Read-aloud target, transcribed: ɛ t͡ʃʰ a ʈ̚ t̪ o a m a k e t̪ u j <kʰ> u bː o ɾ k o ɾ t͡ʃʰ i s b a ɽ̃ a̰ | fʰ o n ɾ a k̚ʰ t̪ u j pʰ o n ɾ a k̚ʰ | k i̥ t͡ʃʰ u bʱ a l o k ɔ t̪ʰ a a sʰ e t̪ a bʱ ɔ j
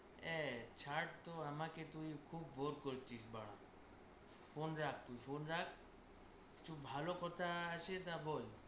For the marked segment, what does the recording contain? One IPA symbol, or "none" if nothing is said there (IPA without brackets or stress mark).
kʰ